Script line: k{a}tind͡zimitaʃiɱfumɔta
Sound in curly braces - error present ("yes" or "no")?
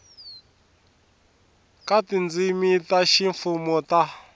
no